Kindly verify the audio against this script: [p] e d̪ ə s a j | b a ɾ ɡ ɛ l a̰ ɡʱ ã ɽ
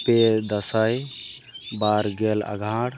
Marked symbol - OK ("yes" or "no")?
yes